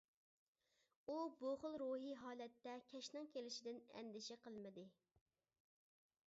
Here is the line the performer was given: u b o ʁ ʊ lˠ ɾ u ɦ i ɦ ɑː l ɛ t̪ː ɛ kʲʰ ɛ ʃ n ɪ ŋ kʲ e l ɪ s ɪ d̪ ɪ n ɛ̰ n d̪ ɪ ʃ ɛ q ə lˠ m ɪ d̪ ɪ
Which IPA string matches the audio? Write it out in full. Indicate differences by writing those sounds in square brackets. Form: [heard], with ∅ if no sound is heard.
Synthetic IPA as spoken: u b o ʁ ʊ lˠ ɾ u ɦ i ɦ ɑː l ɛ t̪ː ɛ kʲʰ ɛ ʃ n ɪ ŋ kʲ e l ɪ [ʃ] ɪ d̪ ɪ n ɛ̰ n d̪ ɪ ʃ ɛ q ə lˠ m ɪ d̪ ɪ